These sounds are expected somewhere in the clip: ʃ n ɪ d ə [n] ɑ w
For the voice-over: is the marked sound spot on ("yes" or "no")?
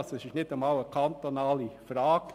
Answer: no